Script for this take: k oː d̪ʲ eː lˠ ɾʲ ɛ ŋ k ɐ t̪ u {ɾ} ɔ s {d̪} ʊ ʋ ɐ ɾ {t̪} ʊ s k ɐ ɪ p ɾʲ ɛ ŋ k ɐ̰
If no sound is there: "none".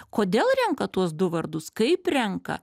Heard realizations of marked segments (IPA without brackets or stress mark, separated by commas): none, d̪, d̪